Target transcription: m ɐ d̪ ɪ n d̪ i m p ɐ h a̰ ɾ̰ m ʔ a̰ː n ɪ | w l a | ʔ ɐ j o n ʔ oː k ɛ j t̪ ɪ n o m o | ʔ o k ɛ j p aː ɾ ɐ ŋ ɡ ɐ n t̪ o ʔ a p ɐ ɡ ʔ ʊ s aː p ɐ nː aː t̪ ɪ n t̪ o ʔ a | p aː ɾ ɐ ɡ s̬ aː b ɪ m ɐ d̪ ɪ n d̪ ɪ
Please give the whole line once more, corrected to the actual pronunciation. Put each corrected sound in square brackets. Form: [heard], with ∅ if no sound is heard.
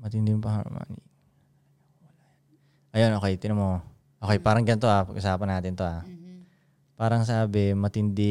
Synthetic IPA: m ɐ [t̪] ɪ n d̪ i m p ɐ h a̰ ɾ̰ m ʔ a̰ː n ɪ | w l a | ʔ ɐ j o n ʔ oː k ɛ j t̪ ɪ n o m o | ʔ o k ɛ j p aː ɾ ɐ ŋ ɡ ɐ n t̪ o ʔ a p ɐ ɡ ʔ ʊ s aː p ɐ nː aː t̪ ɪ n t̪ o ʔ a | p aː ɾ ɐ [ŋ] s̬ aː b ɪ m ɐ [t̪] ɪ n d̪ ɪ